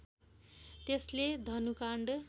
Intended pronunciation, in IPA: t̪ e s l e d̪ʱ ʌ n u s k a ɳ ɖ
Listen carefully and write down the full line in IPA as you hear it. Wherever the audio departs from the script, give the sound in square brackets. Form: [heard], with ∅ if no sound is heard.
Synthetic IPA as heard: t̪ e s l e d̪ʱ ʌ n u [∅] k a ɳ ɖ